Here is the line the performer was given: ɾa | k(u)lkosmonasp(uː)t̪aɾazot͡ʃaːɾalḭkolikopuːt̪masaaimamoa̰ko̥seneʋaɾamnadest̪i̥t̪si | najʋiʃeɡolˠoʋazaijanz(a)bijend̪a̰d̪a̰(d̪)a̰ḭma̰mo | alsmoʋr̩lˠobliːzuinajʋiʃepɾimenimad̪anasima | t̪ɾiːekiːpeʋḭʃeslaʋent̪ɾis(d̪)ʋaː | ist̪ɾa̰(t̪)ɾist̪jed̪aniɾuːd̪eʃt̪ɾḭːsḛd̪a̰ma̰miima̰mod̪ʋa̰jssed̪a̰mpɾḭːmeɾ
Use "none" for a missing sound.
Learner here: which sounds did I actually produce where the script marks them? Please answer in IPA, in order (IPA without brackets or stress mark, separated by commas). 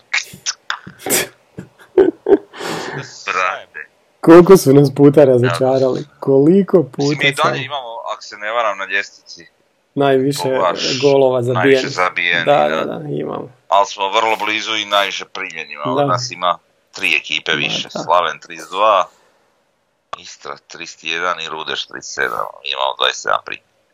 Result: o, uː, a, d̪, d̪, t̪